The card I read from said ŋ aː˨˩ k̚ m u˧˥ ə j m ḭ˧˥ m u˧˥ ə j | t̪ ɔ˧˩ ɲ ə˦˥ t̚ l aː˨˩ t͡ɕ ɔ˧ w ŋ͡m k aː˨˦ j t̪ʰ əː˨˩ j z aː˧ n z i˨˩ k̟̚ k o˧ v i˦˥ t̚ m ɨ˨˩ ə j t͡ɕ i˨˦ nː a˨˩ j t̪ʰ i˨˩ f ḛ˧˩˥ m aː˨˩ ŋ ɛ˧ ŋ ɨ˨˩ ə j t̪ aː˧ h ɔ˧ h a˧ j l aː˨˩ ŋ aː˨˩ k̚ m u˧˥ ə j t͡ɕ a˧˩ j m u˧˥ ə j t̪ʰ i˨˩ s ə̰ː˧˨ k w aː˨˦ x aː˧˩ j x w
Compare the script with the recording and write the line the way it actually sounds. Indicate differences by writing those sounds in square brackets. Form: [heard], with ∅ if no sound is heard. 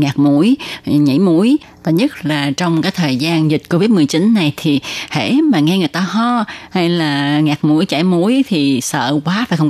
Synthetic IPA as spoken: ŋ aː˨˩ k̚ m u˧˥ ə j [ɲ] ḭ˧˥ m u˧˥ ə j | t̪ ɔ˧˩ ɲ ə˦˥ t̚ l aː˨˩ t͡ɕ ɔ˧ w ŋ͡m k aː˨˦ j t̪ʰ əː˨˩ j z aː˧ n z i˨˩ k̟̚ k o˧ v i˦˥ t̚ m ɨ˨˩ ə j t͡ɕ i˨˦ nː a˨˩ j t̪ʰ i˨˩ [h] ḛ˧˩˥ m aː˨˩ ŋ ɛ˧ ŋ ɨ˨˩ ə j t̪ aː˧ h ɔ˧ h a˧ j l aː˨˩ ŋ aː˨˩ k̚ m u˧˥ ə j t͡ɕ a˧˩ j m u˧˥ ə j t̪ʰ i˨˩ s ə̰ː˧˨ k w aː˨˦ [f] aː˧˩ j x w